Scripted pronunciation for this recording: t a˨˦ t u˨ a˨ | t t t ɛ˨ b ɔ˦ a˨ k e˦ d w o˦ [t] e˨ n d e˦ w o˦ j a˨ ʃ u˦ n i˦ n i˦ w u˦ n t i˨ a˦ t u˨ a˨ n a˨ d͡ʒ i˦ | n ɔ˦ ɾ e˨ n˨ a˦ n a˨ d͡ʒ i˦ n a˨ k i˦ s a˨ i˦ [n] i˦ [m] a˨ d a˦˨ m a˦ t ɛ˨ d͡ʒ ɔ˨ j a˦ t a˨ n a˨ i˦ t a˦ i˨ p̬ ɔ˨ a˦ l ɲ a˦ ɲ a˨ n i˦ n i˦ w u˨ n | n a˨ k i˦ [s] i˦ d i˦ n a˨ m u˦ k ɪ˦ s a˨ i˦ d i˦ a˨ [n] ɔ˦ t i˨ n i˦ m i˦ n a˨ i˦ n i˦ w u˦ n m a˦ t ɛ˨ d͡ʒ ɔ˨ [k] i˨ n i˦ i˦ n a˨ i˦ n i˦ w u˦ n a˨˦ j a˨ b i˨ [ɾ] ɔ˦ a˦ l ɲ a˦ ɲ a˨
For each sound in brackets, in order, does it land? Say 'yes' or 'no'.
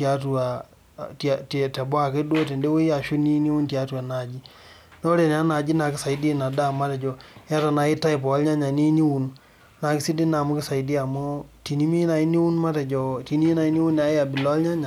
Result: yes, no, no, yes, no, no, no

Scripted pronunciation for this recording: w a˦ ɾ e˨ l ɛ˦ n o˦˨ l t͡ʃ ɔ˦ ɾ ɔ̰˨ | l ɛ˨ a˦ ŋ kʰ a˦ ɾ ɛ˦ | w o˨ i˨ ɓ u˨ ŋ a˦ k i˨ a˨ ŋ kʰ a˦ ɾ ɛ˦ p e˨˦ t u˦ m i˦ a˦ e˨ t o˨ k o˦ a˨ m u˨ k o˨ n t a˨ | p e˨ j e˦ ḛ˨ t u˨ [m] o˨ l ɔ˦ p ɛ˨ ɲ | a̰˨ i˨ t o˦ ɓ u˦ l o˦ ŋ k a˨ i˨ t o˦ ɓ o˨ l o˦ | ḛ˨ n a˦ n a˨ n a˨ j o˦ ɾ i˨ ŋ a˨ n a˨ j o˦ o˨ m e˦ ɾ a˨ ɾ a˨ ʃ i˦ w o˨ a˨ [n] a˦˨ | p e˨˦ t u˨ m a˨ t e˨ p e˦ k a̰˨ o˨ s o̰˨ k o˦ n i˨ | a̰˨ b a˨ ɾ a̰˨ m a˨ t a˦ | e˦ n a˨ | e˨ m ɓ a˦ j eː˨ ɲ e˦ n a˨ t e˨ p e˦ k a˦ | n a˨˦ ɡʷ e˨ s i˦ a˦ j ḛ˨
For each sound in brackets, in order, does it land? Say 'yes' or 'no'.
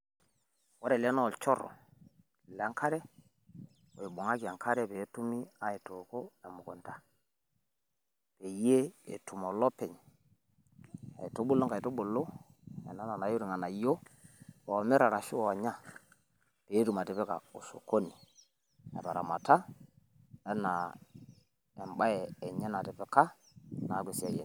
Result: yes, no

